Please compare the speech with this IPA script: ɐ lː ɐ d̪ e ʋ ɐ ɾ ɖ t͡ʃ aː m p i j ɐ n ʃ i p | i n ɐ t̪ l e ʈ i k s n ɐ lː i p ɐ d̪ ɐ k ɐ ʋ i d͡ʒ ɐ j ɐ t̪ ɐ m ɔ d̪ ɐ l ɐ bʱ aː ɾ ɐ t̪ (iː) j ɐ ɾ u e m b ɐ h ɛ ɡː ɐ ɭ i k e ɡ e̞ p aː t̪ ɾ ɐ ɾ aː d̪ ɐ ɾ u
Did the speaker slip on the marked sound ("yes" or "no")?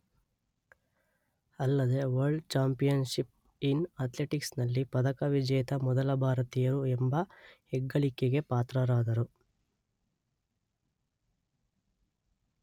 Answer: yes